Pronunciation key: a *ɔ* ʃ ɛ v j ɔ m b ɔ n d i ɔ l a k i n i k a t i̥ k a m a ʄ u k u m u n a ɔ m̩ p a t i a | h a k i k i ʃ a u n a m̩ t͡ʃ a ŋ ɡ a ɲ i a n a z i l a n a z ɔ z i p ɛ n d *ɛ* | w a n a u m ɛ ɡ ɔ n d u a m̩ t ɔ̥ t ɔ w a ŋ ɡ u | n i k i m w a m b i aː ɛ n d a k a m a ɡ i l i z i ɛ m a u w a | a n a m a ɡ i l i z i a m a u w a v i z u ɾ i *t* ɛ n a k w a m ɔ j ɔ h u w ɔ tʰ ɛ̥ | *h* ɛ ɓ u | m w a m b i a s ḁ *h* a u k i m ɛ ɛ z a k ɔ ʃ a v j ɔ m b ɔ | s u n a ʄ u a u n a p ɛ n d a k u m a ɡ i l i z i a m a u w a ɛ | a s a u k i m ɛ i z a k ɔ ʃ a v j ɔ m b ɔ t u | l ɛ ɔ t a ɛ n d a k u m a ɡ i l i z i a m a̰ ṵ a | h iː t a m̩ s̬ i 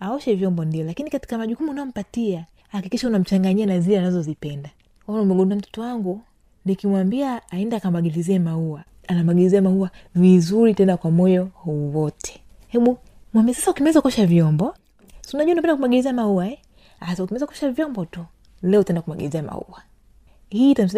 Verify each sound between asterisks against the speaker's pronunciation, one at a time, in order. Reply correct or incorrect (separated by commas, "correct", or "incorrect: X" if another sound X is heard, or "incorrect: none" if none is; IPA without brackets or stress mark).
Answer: correct, incorrect: a, correct, correct, incorrect: s